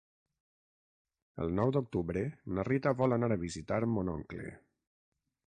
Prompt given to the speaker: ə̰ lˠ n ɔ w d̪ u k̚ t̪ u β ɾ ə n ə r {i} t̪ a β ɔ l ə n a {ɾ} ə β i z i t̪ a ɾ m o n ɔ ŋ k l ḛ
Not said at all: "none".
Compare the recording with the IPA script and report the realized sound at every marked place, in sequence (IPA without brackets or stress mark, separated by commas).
i, ɾ